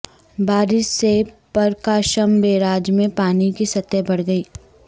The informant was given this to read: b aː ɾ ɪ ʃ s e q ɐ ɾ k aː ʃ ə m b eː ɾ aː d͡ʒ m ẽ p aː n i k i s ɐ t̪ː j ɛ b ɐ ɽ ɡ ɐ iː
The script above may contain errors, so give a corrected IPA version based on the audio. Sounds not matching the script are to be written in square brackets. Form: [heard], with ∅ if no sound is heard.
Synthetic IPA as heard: b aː ɾ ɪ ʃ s e [p] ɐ ɾ k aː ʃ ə m b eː ɾ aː d͡ʒ m ẽ p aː n i k i s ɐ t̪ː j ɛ b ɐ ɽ ɡ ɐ iː